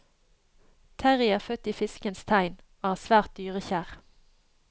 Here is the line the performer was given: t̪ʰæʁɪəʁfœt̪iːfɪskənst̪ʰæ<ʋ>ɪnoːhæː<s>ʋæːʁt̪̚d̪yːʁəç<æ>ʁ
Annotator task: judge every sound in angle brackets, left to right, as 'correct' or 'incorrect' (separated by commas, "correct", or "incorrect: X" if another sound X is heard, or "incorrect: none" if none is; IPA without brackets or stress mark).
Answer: incorrect: none, correct, incorrect: æː